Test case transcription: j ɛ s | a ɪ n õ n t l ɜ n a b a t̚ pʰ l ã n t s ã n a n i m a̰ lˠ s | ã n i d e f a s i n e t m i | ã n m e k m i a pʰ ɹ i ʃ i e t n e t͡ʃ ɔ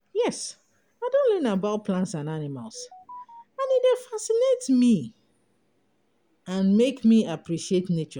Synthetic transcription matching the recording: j ɛ s | a ɪ d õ n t l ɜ n a b a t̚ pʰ l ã n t s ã n a n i m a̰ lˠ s | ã n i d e f a s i n e t m i | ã n m e k m i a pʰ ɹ i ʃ i e t n e t͡ʃ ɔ